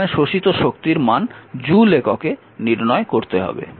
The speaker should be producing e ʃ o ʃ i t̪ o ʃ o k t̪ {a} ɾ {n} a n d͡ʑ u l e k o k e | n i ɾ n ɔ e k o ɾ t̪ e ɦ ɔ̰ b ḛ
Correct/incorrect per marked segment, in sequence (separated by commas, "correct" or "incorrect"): incorrect, incorrect